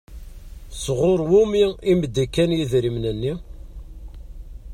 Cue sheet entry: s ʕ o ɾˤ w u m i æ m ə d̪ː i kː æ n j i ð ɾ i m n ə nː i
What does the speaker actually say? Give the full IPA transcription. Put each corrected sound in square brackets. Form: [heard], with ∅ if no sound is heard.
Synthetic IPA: s [ʁ] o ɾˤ w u m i [i] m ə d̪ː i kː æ n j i ð ɾ i m n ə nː i

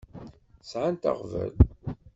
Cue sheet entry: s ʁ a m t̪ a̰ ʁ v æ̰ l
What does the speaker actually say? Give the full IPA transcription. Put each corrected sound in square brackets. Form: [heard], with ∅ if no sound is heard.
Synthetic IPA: s [ʕ] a [n] t̪ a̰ ʁ v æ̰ l

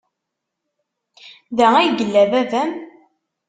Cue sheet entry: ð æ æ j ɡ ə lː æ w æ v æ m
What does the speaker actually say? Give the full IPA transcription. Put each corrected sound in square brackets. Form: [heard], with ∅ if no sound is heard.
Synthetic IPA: ð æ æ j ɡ ə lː æ [v] æ v æ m

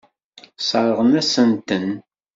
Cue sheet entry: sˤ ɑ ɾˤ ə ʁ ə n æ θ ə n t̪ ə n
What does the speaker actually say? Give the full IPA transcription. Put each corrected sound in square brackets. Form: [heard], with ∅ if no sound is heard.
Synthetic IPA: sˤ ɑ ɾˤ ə ʁ ə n æ [s] ə n t̪ ə n

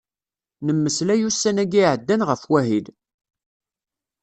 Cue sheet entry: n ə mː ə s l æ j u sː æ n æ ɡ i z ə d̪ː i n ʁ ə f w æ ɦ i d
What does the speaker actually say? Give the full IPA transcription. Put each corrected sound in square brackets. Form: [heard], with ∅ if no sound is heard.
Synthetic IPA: n ə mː ə s l æ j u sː æ n æ ɡ i [ʕ] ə d̪ː [æ] n ʁ ə f w æ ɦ i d

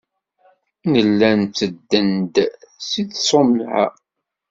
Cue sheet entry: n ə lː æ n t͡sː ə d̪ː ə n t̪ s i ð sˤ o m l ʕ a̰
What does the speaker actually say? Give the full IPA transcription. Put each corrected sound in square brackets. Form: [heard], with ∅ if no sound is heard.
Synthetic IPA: n ə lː æ n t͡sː ə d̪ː ə n [d̪] s i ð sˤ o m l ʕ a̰

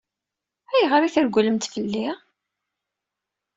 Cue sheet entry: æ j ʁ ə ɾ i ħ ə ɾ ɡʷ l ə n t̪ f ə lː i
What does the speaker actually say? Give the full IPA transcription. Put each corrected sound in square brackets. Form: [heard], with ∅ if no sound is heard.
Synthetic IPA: æ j ʁ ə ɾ i [θ] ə ɾ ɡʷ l ə [m] t̪ f ə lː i

